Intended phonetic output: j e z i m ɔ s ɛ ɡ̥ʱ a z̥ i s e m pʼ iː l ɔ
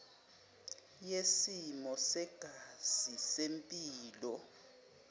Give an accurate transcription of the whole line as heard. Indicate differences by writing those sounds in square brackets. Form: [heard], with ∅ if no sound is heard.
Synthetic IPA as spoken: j e [s] i m ɔ s ɛ ɡ̥ʱ a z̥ i s e m pʼ iː l ɔ